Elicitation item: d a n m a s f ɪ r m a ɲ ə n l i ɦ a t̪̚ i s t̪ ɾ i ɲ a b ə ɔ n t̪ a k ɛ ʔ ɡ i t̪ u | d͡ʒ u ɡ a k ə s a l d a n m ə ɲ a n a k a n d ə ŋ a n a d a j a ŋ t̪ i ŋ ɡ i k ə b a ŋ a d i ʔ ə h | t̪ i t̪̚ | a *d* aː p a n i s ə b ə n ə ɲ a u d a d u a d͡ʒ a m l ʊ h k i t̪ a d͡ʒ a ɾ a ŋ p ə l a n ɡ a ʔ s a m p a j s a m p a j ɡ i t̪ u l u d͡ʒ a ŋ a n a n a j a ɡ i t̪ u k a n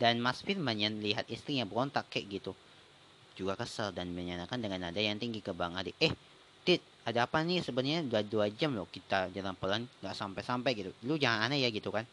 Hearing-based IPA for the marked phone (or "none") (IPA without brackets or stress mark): d